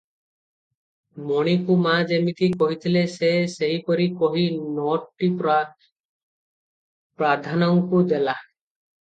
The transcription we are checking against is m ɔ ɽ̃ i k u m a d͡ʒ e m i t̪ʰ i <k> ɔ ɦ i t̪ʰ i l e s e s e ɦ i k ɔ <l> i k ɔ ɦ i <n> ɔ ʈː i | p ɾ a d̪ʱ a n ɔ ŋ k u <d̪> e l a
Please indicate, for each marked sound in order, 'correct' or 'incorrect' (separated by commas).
correct, incorrect, correct, correct